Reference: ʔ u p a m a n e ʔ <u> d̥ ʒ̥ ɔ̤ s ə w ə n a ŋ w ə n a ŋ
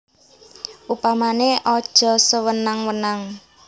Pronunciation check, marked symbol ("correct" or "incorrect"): incorrect